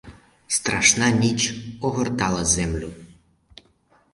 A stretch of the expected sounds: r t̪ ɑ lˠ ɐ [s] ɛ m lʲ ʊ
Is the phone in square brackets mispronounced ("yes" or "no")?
yes